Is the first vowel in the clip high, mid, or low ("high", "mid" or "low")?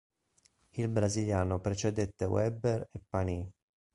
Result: high